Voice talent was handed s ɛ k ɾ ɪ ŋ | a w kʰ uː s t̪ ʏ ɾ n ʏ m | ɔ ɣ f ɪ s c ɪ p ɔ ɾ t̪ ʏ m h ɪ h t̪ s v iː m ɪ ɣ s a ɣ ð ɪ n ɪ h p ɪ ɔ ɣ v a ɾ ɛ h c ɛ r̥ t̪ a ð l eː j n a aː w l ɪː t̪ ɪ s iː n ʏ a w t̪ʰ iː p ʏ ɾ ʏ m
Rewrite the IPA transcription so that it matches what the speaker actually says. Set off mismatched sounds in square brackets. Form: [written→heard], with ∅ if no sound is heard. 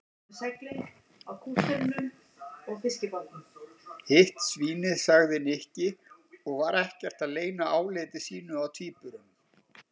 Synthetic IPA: s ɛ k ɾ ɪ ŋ | a w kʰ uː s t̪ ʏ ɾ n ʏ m | ɔ ɣ f ɪ s c ɪ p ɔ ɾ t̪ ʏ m h ɪ h t̪ s v iː [m→n] ɪ [ɣ→ð] s a ɣ ð ɪ n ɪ h [p→c] ɪ ɔ ɣ v a ɾ ɛ h c ɛ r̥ t̪ a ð l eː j n a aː w l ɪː t̪ ɪ s iː n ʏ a w t̪ʰ iː p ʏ ɾ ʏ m